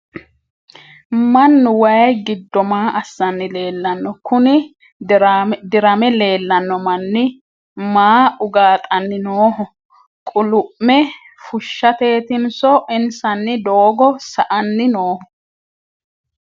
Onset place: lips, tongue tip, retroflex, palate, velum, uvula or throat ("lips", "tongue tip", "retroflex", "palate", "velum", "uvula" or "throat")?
lips